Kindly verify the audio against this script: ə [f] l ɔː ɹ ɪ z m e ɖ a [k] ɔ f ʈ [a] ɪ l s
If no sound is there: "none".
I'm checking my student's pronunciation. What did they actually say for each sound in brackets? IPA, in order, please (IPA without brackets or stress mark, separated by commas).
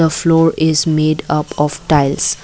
f, p, a